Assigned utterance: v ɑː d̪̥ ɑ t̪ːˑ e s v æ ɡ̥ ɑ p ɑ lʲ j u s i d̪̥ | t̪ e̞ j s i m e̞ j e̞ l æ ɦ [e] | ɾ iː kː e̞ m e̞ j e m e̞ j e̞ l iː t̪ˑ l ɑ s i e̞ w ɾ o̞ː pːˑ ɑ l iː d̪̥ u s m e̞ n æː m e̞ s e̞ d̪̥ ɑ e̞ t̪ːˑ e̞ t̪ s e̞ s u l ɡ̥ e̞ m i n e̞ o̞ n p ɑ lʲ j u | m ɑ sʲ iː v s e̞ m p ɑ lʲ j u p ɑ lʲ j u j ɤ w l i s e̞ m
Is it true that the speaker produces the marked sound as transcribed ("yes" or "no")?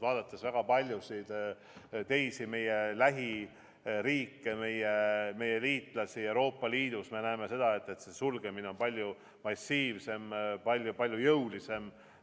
no